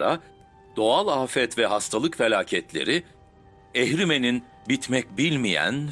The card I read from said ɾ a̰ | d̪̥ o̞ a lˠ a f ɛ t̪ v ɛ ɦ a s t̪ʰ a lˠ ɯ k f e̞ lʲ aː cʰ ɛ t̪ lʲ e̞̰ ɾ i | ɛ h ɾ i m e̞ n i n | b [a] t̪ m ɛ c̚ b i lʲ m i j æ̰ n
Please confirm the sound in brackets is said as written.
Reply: no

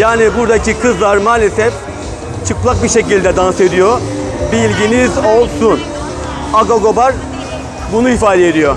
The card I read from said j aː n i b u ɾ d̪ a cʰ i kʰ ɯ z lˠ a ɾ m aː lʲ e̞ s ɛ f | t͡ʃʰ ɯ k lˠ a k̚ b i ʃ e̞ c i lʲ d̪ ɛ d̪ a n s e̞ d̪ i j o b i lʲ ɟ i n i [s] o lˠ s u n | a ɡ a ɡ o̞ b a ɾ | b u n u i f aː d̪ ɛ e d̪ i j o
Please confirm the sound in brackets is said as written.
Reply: no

